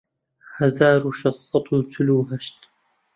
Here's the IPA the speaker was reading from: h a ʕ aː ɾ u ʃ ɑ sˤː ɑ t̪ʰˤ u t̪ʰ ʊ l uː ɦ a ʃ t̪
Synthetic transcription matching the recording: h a z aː ɾ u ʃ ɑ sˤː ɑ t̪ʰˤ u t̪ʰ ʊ l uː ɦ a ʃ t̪